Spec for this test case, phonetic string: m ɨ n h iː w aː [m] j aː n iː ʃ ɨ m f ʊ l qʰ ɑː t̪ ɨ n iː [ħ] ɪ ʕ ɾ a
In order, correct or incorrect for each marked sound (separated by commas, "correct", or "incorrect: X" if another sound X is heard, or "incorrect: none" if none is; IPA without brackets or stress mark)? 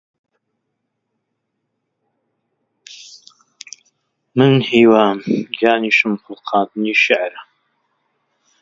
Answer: correct, incorrect: ʃ